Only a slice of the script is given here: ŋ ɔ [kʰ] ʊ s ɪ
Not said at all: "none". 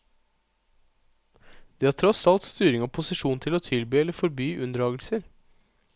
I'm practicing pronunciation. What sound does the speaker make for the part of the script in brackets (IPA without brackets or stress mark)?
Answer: pʰ